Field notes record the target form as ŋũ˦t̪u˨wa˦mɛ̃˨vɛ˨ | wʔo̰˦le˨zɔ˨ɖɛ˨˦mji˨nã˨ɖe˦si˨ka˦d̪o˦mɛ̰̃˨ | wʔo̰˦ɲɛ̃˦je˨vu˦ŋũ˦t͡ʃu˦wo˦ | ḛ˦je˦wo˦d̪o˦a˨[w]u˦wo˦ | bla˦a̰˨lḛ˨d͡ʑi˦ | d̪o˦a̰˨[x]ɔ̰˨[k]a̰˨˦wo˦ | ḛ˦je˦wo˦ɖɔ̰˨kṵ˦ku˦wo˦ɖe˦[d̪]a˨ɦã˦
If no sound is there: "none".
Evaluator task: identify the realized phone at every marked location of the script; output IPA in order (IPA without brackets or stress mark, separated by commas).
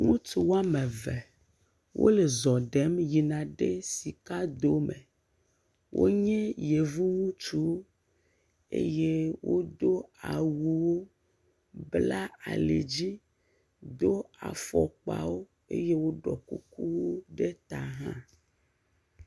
w, f, k͡p, t̪